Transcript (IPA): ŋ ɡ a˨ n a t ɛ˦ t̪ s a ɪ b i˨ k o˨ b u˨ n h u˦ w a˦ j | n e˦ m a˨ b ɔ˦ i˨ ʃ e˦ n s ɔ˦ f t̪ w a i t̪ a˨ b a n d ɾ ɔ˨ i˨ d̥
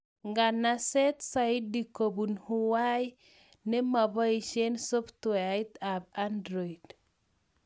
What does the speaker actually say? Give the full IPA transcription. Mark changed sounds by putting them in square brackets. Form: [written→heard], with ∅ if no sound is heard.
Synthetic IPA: ŋ ɡ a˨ n a [t→s] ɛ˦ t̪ s a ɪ [b→d] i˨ k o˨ b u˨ n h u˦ w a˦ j | n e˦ m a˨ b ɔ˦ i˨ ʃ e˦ n s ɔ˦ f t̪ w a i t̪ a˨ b a n d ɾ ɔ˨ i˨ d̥

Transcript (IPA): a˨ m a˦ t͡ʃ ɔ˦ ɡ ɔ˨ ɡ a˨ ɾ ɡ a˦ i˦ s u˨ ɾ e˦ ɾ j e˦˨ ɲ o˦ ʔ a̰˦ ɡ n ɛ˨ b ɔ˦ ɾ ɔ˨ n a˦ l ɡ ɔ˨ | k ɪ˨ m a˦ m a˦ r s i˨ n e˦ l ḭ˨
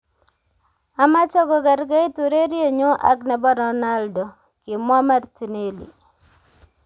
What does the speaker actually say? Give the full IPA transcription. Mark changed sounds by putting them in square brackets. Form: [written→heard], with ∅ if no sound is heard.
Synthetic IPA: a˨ m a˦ t͡ʃ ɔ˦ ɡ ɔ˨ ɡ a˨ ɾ ɡ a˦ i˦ [s→t] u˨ ɾ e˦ ɾ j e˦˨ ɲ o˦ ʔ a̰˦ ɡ n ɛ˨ b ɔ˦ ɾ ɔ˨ n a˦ l [ɡ→d] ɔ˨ | k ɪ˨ m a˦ m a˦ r [s→t] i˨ n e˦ l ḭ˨

